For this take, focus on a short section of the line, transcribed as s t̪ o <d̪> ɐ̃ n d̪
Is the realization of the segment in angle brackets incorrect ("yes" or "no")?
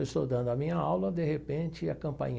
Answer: no